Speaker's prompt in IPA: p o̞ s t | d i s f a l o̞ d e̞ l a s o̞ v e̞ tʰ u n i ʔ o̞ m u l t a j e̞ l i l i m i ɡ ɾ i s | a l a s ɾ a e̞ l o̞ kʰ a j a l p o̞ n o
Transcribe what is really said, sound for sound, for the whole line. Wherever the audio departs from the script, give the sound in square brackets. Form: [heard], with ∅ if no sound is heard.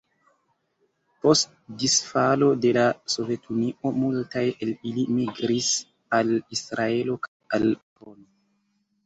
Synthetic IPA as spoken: p o̞ s t | d i s f a l o̞ d e̞ l a s o̞ v e̞ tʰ u n i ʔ o̞ m u l t a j e̞ l i l i m i ɡ ɾ i s | a l [i] s ɾ a e̞ l o̞ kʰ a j a l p o̞ n o